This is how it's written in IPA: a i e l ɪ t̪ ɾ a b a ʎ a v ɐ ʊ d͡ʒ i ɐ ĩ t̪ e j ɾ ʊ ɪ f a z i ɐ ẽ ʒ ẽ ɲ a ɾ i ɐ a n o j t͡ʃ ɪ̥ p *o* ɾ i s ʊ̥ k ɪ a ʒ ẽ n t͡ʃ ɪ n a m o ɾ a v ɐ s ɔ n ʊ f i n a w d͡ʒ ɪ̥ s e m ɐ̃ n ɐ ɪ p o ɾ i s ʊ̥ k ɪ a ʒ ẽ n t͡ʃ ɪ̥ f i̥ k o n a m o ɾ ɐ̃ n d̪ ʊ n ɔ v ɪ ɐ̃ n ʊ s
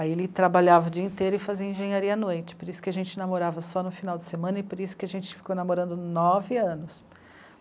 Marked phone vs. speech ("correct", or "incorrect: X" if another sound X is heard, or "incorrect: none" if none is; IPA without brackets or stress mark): correct